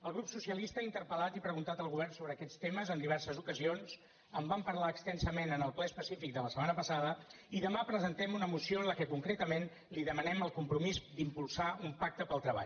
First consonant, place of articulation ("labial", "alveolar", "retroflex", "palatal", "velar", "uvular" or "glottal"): alveolar